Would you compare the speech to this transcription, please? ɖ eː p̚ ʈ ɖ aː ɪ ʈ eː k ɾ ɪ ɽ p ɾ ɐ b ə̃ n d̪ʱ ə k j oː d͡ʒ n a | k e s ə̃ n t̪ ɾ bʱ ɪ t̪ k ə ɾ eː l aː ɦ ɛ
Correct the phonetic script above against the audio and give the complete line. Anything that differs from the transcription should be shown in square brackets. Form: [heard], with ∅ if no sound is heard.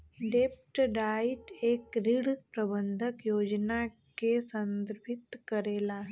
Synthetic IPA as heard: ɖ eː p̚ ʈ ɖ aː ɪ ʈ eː k ɾ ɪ ɽ p ɾ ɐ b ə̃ n d̪ʱ ə k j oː d͡ʒ n a | k e s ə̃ n [d̪] ɾ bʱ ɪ t̪ k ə ɾ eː l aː ɦ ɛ